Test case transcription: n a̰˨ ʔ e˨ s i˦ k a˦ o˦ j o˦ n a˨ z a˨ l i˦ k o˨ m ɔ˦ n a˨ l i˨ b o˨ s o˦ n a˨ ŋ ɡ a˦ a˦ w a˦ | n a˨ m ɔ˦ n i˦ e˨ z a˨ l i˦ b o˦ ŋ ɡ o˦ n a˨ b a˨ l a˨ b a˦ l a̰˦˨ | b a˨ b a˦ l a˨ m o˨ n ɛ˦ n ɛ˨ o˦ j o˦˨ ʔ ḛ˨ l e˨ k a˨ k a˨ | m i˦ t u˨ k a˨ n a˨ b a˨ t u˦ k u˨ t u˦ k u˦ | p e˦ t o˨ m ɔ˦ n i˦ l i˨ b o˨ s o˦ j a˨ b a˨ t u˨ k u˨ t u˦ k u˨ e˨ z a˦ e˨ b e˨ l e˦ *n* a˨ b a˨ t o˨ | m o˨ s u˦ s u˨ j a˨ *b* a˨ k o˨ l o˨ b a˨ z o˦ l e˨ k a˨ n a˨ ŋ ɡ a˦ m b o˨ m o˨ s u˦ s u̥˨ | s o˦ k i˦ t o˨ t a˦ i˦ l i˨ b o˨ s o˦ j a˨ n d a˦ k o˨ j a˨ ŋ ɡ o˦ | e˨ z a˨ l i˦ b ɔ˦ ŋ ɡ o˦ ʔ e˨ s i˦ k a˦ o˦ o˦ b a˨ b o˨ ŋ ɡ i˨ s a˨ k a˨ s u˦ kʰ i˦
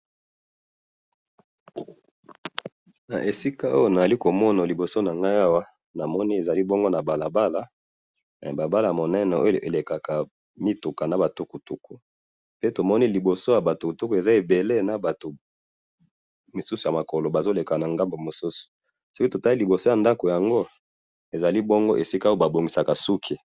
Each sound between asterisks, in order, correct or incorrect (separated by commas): correct, incorrect